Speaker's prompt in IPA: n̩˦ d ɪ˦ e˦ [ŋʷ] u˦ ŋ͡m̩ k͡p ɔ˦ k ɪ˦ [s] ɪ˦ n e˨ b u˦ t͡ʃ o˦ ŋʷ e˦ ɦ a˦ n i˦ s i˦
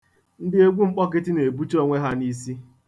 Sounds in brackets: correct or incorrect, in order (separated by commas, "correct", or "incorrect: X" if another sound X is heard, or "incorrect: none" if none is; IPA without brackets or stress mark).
incorrect: ɡʷ, incorrect: t